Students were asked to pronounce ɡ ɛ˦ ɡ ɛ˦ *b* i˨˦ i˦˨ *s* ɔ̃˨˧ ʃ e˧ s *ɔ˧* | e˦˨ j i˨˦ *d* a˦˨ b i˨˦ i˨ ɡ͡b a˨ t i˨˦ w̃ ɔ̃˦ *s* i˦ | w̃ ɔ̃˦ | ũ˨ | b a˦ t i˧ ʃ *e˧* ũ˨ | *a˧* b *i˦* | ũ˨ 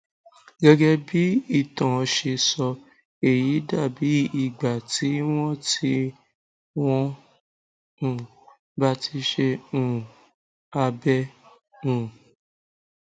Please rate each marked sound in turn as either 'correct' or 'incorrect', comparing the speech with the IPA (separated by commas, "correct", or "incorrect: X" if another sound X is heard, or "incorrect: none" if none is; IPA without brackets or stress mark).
correct, incorrect: t, correct, correct, incorrect: t, correct, correct, incorrect: ɛ˦